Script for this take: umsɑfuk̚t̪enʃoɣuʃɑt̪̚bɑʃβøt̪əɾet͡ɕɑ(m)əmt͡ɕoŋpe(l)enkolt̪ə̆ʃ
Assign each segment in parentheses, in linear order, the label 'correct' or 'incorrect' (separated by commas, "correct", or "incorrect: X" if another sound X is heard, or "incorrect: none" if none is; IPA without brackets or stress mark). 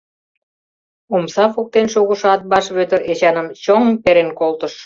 incorrect: n, incorrect: ɾ